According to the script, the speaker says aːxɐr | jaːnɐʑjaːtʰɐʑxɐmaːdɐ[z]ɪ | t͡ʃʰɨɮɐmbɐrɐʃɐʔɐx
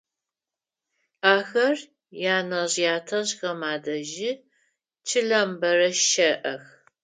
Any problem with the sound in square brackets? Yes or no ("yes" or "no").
yes